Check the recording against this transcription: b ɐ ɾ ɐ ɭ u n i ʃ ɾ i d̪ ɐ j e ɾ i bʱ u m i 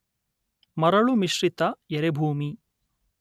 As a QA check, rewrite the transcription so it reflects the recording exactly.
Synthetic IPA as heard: m ɐ ɾ ɐ ɭ u m i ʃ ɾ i t̪ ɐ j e ɾ e bʱ uː m i